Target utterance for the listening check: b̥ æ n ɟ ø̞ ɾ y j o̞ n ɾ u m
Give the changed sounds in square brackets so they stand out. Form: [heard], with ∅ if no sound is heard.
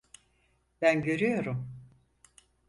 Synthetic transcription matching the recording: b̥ æ n ɟ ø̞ ɾ y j o̞ [∅] ɾ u m